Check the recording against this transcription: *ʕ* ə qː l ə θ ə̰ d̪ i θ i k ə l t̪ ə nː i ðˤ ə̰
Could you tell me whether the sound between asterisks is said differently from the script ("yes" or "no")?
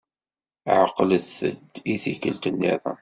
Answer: no